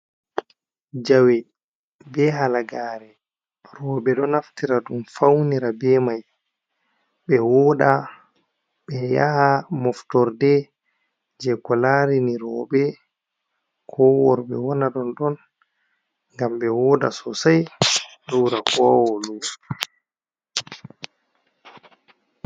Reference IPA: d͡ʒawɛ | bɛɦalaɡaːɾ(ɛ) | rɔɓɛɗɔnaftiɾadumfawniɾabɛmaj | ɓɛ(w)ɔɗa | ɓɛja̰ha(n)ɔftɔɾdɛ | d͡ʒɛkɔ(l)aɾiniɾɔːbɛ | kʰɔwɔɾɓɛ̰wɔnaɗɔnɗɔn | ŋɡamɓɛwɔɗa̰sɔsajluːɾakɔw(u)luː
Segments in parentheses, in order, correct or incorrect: correct, correct, incorrect: m, correct, incorrect: ɔ

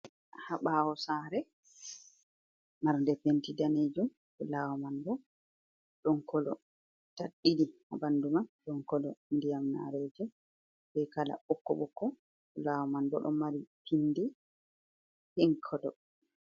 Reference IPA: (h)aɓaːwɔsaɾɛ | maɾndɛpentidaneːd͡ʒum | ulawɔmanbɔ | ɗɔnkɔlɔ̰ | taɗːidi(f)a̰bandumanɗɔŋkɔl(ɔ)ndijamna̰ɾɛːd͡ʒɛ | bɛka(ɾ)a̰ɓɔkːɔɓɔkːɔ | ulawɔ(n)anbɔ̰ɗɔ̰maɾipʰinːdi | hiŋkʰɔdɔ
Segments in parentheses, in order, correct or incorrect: correct, incorrect: h, correct, incorrect: l, incorrect: m

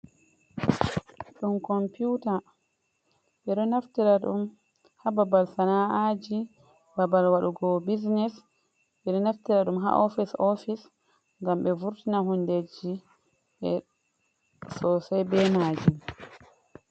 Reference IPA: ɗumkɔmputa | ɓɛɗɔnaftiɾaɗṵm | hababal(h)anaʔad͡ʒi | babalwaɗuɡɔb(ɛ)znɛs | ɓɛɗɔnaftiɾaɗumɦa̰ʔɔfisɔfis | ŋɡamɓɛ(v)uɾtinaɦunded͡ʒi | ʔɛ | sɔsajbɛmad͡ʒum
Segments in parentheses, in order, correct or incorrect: incorrect: s, incorrect: i, correct

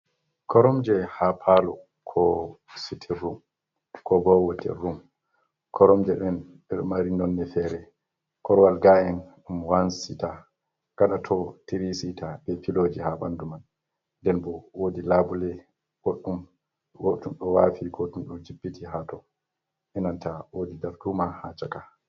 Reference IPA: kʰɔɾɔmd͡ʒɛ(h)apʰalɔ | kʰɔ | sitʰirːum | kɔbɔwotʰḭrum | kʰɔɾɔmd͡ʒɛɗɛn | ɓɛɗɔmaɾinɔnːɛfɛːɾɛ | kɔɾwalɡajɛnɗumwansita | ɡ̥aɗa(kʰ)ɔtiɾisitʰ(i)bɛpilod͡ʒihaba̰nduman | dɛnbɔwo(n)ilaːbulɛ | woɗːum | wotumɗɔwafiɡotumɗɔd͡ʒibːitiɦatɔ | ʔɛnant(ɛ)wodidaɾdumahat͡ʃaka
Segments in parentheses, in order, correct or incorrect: correct, incorrect: tʰ, incorrect: a, incorrect: d, incorrect: a

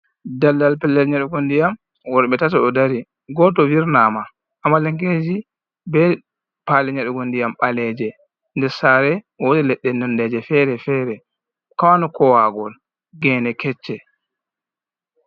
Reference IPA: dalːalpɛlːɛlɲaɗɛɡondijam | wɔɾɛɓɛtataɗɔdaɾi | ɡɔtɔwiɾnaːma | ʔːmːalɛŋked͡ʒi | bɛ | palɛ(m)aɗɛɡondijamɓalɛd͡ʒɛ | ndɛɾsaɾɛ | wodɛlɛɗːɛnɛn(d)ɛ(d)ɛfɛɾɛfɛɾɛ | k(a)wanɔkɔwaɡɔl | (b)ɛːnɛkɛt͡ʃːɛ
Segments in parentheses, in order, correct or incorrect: incorrect: ɲ, correct, incorrect: d͡ʒ, correct, incorrect: ɡ

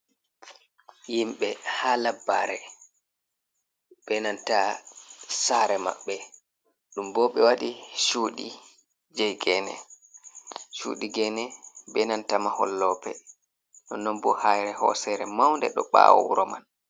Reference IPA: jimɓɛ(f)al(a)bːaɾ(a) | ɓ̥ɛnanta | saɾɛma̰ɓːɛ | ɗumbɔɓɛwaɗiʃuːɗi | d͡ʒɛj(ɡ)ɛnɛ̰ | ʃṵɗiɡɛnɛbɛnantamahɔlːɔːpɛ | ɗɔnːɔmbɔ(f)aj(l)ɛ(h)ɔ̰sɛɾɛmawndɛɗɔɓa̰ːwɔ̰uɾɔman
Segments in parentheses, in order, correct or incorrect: incorrect: h, correct, incorrect: ɛ, correct, incorrect: h, incorrect: ɾ, correct

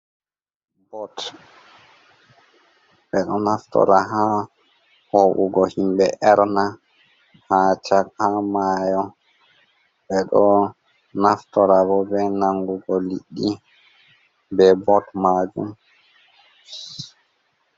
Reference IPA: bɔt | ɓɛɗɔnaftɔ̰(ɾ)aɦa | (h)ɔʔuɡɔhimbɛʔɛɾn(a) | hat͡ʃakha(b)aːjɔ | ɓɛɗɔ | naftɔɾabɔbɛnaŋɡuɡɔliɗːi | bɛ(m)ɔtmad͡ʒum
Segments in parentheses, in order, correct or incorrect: correct, correct, correct, incorrect: m, incorrect: b

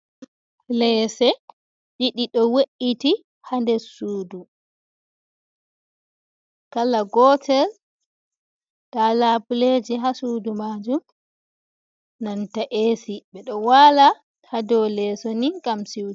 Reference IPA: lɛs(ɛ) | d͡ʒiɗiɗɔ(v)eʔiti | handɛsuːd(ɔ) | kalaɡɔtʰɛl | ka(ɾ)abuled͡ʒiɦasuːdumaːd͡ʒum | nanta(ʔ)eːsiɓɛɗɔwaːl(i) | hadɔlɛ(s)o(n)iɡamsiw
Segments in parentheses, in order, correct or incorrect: correct, incorrect: w, incorrect: u, incorrect: l, correct, incorrect: a, correct, correct

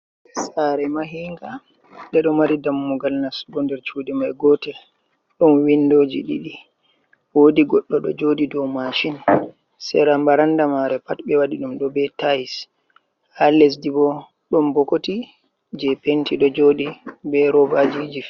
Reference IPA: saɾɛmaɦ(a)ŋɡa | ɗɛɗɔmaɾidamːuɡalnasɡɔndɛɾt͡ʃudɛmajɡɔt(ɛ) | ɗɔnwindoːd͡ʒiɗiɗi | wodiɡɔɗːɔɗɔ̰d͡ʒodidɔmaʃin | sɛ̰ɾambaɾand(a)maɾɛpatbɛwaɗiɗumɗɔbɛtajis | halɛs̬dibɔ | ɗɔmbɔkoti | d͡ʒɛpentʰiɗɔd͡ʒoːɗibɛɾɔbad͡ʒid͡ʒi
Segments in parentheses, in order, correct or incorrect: incorrect: i, correct, correct

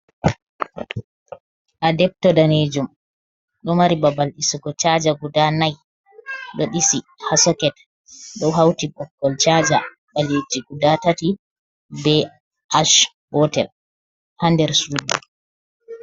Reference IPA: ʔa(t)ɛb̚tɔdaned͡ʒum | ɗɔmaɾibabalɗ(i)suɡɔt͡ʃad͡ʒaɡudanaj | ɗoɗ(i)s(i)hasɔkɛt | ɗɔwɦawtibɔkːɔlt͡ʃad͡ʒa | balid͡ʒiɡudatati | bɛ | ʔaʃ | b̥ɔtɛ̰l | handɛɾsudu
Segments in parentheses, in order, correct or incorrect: incorrect: d, correct, correct, correct

